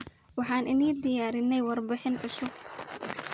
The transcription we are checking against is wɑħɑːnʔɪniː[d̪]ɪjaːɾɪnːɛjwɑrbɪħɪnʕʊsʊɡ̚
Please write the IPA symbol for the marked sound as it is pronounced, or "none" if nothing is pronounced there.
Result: d̪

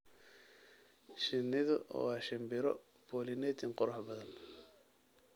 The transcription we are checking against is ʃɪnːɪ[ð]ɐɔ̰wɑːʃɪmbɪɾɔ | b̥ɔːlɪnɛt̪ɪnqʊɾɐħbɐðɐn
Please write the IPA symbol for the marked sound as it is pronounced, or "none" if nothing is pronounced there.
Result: ð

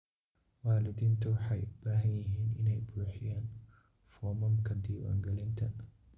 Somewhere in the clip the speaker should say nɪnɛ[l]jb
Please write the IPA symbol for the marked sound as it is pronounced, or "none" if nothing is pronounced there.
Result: none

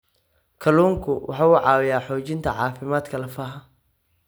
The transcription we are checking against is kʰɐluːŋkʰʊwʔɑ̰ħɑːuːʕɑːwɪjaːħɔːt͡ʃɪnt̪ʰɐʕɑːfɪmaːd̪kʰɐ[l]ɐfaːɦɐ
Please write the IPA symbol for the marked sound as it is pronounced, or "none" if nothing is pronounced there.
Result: l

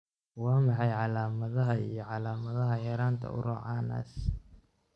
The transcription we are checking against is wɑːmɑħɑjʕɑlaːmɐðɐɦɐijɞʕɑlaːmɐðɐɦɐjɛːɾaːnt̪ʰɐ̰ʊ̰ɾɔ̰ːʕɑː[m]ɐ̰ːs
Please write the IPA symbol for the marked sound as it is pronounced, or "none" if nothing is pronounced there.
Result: n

